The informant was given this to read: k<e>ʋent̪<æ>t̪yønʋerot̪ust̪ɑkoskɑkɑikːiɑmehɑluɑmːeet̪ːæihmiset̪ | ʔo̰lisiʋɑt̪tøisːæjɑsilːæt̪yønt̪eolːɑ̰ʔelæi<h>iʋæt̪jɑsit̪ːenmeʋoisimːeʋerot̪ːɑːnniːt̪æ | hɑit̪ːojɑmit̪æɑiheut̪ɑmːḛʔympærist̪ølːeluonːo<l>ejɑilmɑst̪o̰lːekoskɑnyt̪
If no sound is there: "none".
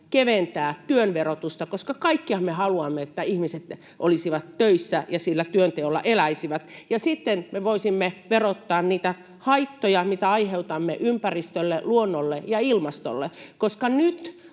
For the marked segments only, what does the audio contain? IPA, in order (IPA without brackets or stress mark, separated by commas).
e, æː, s, lː